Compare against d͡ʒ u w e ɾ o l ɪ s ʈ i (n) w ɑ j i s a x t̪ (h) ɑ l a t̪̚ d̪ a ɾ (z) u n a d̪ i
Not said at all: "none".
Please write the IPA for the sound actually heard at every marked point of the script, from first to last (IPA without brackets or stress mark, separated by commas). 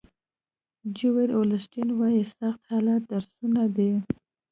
n, h, s